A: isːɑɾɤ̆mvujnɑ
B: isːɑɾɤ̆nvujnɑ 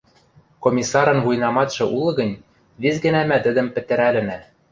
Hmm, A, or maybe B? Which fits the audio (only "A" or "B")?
B